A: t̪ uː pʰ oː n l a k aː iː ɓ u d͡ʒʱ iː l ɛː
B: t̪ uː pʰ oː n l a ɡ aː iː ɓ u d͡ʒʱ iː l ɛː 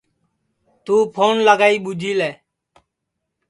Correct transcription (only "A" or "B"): B